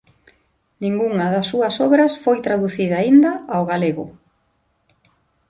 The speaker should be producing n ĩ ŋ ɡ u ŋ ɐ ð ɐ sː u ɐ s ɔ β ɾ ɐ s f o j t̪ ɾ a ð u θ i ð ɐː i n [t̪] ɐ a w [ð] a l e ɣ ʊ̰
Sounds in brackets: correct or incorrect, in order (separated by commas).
incorrect, incorrect